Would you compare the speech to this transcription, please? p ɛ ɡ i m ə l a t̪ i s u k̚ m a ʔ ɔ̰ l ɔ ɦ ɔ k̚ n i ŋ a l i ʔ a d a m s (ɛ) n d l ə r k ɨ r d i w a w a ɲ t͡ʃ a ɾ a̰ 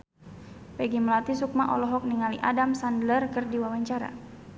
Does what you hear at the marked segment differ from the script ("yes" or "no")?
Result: yes